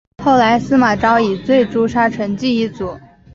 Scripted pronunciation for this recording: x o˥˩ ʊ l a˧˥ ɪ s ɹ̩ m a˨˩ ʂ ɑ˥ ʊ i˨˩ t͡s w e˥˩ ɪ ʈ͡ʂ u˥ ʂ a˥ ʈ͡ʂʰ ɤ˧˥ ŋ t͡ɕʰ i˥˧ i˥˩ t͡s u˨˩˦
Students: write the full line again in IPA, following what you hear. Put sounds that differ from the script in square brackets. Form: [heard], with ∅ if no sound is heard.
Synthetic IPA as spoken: x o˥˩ ʊ l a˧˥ ɪ s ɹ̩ m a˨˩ [ʈ͡ʂ] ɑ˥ ʊ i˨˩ t͡s w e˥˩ ɪ ʈ͡ʂ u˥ ʂ a˥ ʈ͡ʂʰ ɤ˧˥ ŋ [t͡ɕ] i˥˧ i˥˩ t͡s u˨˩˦